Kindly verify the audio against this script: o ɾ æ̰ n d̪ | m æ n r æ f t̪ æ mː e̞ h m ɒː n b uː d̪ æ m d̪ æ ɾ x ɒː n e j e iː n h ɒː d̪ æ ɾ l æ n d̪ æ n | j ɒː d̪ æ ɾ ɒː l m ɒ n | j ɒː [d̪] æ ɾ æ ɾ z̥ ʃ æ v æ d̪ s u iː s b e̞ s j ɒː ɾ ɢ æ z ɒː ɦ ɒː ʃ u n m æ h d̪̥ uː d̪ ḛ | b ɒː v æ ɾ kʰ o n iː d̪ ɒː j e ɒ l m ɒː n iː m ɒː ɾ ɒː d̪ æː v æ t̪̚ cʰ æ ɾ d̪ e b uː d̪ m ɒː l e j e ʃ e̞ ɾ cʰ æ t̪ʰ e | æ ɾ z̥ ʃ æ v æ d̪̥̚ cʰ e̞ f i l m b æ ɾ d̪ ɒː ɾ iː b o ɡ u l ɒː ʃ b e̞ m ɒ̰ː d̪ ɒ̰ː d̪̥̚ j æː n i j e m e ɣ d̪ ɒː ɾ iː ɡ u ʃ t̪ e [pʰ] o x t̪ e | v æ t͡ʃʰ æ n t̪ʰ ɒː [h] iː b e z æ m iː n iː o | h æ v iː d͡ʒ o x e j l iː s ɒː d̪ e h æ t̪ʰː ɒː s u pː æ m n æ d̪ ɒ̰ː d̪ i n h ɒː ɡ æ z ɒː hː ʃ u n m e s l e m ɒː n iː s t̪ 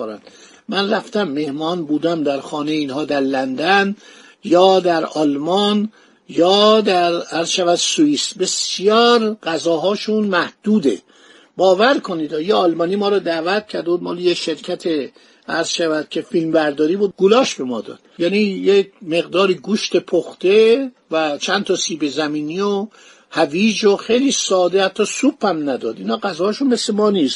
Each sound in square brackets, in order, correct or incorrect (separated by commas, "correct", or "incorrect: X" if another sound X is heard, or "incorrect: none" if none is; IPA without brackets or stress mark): correct, correct, incorrect: s